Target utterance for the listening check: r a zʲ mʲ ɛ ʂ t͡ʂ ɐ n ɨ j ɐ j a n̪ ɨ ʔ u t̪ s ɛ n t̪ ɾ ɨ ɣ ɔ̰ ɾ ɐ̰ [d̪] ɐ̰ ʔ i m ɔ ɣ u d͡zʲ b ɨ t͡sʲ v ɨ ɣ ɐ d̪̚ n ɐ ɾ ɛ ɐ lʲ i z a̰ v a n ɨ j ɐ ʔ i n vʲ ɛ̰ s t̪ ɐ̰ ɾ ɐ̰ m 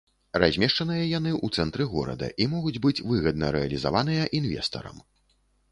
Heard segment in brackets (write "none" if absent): d̪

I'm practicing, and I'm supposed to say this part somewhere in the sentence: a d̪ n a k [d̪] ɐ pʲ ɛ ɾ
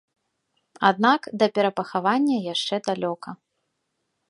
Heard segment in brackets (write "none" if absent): d̪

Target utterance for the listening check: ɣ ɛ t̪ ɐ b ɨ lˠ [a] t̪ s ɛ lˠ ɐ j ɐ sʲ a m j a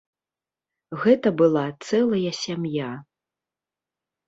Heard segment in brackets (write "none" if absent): a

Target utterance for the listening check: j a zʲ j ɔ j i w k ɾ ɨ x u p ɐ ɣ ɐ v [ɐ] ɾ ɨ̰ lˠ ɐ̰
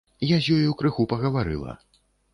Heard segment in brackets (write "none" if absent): a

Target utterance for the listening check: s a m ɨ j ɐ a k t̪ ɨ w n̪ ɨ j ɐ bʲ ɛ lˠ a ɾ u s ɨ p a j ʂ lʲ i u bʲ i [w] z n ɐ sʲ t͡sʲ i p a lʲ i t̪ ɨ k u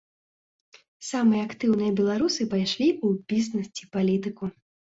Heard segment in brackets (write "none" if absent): none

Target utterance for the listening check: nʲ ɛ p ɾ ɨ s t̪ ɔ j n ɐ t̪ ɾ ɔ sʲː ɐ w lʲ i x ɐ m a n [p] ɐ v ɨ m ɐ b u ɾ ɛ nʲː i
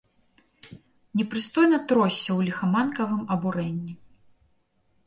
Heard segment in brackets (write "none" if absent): k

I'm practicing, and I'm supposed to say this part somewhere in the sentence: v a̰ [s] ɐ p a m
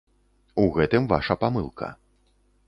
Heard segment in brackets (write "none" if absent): ʂ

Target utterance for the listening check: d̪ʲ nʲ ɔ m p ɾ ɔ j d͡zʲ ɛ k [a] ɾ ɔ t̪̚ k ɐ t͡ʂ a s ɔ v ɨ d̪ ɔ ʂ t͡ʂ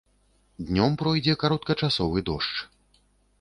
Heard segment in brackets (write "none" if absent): a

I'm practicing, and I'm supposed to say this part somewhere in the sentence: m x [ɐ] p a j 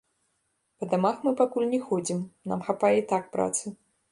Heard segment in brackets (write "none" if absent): a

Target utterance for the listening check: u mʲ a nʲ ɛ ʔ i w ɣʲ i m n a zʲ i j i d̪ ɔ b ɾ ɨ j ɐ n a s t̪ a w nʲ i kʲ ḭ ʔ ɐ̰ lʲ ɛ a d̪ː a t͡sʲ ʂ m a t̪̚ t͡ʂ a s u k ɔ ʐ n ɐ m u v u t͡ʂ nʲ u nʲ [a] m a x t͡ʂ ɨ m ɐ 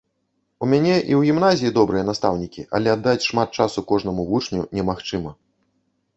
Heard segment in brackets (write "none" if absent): ɛ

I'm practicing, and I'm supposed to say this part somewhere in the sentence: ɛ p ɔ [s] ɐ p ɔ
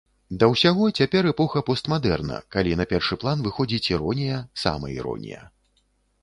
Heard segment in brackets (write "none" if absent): x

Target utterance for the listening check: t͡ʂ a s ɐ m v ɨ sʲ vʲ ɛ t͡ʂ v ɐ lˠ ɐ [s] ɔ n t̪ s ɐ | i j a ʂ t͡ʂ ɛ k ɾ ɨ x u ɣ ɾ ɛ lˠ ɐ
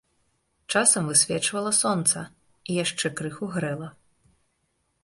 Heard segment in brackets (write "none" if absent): s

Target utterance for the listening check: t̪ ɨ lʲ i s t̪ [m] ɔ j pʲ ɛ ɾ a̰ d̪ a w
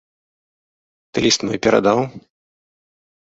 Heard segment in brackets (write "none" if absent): m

